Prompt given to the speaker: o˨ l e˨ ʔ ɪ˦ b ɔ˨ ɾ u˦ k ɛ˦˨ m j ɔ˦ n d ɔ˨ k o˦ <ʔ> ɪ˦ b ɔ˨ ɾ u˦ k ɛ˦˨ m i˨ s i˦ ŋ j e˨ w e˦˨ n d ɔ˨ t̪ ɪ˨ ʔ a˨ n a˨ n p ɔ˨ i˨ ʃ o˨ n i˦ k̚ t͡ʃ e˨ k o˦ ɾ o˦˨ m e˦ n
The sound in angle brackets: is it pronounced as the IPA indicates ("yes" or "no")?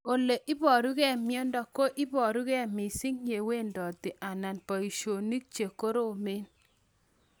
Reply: yes